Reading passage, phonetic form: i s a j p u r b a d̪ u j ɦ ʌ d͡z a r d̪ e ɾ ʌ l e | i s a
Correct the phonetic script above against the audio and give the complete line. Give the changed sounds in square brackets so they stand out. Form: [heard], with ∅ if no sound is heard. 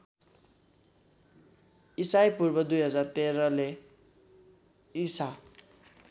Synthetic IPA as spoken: i s a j p u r b [ʌ] d̪ u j ɦ ʌ d͡z a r [t̪] e ɾ ʌ l e | i s a